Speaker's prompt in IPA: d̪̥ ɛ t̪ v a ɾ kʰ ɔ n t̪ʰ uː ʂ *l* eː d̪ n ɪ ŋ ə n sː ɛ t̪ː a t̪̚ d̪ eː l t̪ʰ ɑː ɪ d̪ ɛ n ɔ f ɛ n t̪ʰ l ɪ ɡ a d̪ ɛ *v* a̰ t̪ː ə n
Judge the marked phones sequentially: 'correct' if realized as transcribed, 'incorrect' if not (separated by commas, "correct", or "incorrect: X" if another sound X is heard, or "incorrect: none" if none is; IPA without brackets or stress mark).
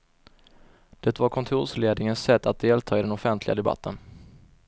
correct, incorrect: b